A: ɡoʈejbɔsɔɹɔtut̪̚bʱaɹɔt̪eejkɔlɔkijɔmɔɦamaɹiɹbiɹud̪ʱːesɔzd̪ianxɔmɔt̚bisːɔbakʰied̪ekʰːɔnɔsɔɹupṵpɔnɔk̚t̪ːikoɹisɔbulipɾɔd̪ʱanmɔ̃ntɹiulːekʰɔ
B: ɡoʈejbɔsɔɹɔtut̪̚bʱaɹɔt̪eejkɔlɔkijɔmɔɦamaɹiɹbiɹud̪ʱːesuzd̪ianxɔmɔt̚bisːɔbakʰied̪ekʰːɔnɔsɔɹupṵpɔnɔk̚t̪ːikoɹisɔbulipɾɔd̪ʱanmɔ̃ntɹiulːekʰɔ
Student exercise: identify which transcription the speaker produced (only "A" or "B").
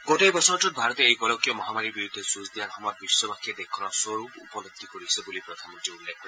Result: B